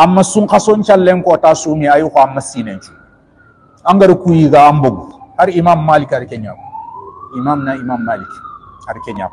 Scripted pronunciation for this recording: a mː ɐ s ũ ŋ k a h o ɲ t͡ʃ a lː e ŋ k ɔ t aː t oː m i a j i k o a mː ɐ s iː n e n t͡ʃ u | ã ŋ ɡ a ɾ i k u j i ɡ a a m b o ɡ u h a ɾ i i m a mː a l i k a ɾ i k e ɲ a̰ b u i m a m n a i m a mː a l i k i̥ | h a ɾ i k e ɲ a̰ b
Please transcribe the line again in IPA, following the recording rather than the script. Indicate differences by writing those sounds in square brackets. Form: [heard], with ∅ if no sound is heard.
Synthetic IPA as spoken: a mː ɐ s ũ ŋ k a [s] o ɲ t͡ʃ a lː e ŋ k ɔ t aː [s] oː m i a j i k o a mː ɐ s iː n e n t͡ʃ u | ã ŋ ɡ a ɾ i k u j i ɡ a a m b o ɡ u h a ɾ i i m a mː a l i k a ɾ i k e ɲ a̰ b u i m a m n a i m a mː a l i k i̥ | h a ɾ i k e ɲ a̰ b